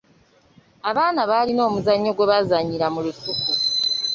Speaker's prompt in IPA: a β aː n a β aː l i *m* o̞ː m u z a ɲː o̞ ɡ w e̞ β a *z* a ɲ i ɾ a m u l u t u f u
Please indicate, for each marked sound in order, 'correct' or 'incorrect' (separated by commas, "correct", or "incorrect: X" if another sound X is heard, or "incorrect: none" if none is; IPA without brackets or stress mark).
incorrect: n, correct